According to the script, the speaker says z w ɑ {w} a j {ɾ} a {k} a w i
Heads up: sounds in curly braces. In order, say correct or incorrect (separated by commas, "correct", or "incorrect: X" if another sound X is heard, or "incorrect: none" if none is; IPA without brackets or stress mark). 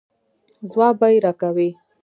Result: incorrect: b, correct, correct